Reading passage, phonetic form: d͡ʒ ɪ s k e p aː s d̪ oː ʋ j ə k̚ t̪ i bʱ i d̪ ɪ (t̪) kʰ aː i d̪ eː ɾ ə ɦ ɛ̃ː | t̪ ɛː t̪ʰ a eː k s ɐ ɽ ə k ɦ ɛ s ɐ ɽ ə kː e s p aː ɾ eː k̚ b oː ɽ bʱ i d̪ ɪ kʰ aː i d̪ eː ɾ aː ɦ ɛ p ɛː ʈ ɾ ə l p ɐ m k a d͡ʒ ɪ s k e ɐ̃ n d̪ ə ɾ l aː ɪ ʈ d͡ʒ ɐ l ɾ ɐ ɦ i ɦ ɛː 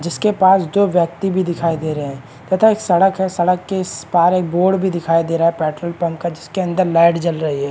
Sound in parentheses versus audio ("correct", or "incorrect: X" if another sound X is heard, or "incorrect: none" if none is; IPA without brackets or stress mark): incorrect: none